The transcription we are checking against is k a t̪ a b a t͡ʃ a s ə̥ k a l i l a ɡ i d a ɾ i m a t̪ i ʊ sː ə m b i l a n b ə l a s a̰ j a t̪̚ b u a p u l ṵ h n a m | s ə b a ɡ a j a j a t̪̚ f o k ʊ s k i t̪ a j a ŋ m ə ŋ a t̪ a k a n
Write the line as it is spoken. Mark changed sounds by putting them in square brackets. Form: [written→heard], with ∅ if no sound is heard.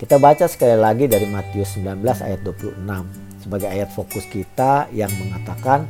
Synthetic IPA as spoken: k [a→i] t̪ a b a t͡ʃ a s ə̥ k a l i l a ɡ i d a ɾ i m a t̪ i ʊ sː ə m b i l a n b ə l a s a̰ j a t̪̚ [b→d] u a p u l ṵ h n a m | s ə b a ɡ a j a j a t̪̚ f o k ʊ s k i t̪ a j a ŋ m ə ŋ a t̪ a k a n